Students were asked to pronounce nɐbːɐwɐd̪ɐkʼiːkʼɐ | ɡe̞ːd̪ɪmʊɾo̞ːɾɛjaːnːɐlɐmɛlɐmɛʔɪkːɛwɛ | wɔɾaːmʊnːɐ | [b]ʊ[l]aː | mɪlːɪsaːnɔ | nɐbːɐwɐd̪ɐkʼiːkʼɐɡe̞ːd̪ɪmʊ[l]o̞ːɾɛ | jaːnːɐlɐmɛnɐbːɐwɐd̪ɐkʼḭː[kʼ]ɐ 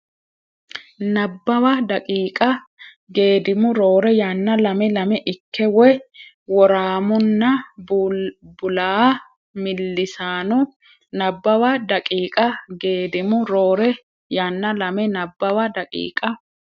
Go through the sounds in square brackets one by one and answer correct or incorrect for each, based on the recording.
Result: correct, correct, incorrect: ɾ, correct

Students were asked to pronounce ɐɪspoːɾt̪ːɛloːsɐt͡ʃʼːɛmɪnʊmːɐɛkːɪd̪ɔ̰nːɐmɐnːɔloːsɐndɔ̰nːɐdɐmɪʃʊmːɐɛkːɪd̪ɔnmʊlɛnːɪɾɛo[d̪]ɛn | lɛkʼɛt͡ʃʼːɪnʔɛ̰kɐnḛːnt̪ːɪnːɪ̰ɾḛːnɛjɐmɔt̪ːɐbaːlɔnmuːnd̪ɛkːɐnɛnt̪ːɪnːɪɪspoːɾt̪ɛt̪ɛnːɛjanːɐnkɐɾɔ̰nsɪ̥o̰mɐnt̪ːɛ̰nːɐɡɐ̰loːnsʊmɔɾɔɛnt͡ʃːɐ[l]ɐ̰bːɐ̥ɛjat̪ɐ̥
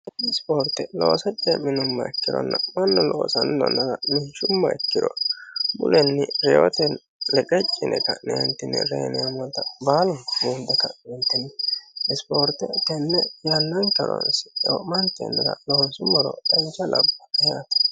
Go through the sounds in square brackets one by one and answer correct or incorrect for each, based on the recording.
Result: incorrect: t̪, correct

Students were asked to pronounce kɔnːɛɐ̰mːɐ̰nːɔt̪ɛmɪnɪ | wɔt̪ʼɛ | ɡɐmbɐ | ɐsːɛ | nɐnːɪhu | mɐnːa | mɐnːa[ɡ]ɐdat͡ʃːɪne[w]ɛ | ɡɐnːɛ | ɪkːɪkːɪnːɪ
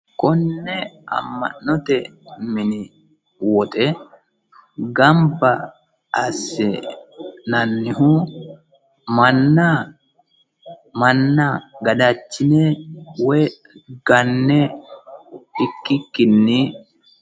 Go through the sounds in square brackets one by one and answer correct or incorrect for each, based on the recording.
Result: correct, correct

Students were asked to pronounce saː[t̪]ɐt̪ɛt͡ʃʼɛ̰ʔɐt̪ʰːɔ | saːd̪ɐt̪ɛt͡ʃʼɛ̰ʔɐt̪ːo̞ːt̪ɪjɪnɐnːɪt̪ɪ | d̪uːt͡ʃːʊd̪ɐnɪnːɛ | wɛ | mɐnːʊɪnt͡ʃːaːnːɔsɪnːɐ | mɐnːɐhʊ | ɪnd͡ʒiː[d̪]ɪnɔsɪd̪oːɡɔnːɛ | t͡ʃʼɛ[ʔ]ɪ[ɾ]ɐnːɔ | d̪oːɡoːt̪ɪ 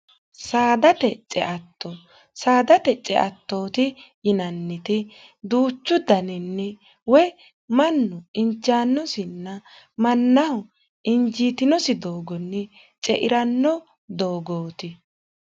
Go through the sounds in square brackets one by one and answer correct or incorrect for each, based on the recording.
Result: incorrect: d̪, incorrect: t̪, correct, correct

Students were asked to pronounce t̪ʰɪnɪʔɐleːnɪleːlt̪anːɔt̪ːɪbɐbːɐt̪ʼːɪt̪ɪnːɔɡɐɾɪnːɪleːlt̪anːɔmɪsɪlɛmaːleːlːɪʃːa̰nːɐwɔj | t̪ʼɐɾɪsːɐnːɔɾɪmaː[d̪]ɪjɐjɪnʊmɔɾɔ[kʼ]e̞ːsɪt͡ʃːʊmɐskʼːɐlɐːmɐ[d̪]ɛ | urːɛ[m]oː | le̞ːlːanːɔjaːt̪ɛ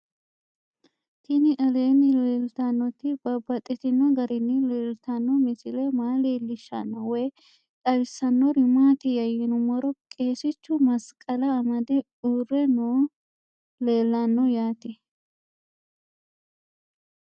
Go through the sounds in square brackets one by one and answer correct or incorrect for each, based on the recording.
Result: incorrect: t̪, correct, correct, incorrect: n

